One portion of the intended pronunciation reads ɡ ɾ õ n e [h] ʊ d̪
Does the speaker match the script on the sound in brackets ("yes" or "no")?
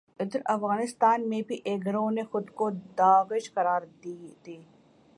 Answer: no